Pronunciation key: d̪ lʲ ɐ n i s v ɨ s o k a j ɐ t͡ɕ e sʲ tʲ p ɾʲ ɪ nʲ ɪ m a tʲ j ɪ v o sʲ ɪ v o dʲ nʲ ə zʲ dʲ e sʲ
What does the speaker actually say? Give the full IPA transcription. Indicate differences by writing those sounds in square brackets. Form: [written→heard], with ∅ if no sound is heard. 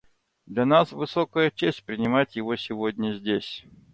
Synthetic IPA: d̪ lʲ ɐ n [i→a] s v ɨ s o k [a→ə] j [ɐ→ə] t͡ɕ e sʲ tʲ p ɾʲ ɪ nʲ ɪ m a tʲ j ɪ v o sʲ ɪ v o dʲ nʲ ə zʲ dʲ e sʲ